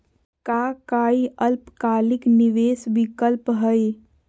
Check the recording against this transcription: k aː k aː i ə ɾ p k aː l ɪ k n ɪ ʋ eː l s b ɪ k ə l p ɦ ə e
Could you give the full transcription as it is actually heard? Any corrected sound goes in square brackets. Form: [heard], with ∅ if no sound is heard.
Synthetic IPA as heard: k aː k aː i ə [l] p k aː l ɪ k n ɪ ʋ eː [∅] s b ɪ k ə l p ɦ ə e